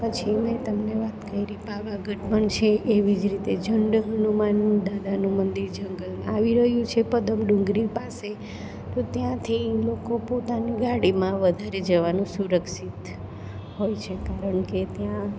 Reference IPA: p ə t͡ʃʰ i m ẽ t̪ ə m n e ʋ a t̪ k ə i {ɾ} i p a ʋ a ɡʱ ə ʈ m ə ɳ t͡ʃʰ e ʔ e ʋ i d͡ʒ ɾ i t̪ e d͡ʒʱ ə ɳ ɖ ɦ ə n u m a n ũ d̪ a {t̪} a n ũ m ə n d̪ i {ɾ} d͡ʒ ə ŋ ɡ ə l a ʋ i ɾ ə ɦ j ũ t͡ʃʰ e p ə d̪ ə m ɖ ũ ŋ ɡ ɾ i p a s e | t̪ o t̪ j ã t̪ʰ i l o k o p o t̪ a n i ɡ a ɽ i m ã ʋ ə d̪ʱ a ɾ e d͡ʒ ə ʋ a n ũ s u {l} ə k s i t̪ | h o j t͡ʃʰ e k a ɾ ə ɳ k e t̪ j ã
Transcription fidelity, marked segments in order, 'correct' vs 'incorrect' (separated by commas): correct, incorrect, correct, incorrect